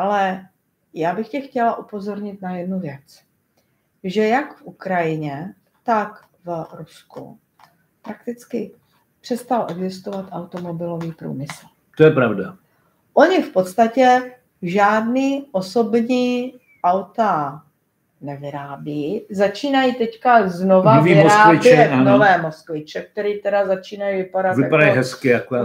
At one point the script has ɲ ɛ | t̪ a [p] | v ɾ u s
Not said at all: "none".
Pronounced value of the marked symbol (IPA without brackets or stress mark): k